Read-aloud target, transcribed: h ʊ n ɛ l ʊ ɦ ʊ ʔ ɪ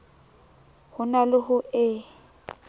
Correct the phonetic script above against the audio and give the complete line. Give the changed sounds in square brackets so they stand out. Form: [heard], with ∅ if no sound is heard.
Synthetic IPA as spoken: h ʊ n [a] l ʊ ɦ ʊ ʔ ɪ